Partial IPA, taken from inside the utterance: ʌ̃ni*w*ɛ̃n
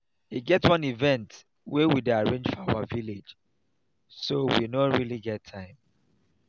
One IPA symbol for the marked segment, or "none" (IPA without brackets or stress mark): v